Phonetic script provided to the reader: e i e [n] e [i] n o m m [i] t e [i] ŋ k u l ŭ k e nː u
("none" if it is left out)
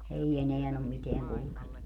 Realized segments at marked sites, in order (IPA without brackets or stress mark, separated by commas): n, æ, i, æ